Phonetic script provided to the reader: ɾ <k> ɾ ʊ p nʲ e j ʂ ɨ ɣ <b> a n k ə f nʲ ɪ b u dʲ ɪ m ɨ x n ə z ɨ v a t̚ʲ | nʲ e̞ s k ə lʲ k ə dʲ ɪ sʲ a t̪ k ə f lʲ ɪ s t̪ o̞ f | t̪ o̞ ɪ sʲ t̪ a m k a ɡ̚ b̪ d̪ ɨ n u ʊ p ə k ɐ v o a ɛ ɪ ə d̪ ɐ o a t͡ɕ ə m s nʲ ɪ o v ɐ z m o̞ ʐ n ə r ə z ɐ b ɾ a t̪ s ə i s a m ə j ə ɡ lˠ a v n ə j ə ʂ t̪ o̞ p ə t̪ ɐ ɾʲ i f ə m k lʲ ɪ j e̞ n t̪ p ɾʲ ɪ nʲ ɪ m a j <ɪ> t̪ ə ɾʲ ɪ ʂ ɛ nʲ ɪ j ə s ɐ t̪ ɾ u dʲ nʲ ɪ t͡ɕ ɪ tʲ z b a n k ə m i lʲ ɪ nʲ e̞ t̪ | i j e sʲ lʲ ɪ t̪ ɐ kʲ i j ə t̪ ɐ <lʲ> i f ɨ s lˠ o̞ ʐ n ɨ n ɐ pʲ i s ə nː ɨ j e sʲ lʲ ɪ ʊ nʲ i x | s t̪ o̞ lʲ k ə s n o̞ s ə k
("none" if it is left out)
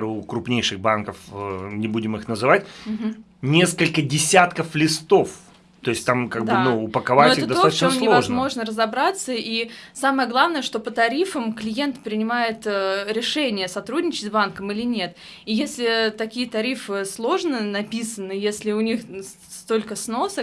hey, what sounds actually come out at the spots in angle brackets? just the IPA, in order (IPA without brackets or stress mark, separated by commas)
k, b, ɪ, ɾʲ